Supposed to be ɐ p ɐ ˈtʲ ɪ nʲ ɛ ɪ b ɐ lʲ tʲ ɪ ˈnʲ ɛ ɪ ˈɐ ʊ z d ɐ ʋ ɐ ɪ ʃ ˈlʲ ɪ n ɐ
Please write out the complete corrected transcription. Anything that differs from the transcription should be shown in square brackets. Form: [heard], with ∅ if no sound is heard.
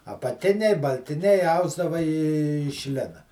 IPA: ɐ p ɐ ˈtʲ ɪ nʲ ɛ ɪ b ɐ lʲ tʲ ɪ ˈnʲ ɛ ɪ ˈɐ ʊ z d ɐ ʋ ɐ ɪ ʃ ˈlʲ ɪ n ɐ

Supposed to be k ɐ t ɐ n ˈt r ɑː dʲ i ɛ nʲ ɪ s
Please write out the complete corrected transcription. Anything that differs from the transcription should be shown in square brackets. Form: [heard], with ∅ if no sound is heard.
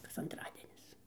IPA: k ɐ [s] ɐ n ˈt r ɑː dʲ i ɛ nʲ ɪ s

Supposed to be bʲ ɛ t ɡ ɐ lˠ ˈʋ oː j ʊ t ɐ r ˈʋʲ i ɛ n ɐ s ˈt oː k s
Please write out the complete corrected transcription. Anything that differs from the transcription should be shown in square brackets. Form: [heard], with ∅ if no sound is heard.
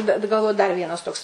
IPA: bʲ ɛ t ɡ ɐ lˠ ˈʋ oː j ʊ [d] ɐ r ˈʋʲ i ɛ n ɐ s ˈt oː k s

